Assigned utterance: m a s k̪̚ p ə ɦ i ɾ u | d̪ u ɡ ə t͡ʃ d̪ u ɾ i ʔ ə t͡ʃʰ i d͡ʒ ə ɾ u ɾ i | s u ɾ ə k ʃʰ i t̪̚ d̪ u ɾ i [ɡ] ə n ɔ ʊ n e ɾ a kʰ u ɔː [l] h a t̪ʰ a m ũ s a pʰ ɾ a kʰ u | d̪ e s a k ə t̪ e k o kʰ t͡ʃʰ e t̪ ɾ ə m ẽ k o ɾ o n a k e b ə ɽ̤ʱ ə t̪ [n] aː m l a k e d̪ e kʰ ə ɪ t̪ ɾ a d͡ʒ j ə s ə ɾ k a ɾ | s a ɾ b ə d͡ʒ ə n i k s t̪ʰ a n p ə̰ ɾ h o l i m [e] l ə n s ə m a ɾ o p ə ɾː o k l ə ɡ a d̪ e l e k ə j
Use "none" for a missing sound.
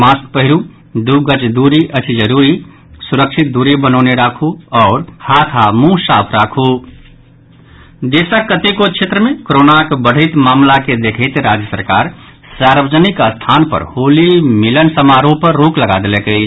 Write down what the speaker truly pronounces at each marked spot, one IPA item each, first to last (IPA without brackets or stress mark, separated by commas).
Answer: b, ɾ, m, i